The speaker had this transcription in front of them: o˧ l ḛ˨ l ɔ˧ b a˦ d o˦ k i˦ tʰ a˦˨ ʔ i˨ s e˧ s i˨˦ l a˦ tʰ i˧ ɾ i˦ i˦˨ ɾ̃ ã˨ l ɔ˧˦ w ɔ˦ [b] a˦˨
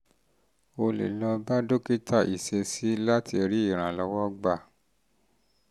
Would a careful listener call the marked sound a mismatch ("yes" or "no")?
yes